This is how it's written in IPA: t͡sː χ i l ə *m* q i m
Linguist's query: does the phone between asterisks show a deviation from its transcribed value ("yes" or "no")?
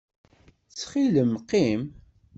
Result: no